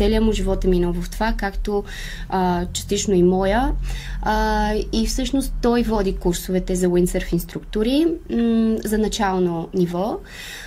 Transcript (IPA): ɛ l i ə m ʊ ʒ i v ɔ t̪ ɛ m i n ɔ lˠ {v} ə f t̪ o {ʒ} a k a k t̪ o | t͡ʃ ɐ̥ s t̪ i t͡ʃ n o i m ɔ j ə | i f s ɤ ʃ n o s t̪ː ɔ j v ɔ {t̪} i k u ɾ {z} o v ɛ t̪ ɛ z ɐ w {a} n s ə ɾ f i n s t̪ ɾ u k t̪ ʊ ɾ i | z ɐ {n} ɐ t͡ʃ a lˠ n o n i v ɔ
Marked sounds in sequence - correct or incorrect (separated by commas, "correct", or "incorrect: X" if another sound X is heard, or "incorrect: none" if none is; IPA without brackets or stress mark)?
correct, incorrect: v, incorrect: d̪, incorrect: s, incorrect: i, correct